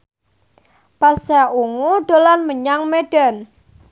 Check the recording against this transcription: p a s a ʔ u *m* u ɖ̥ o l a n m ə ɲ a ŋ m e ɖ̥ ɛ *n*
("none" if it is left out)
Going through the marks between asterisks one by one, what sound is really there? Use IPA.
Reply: ŋ, n

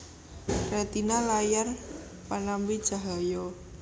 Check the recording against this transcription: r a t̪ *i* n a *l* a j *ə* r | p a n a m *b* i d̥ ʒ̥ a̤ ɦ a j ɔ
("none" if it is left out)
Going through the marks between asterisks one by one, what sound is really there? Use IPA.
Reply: i, l, a, b

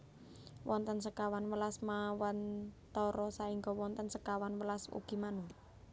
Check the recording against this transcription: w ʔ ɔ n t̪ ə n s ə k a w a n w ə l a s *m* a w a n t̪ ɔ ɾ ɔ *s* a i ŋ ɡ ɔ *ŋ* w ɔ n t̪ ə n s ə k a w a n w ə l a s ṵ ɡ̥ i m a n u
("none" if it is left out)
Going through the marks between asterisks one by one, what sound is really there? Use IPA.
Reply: m, s, none

